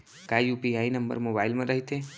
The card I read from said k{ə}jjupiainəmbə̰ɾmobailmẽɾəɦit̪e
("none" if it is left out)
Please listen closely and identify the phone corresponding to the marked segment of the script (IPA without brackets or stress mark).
a